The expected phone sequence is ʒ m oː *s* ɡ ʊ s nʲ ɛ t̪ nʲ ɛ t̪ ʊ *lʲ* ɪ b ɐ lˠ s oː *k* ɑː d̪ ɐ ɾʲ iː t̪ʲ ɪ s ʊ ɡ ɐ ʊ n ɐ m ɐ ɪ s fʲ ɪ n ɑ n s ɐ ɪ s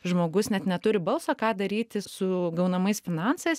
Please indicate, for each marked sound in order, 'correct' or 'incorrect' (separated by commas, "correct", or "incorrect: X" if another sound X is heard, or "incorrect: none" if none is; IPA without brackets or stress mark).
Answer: incorrect: none, incorrect: ɾʲ, correct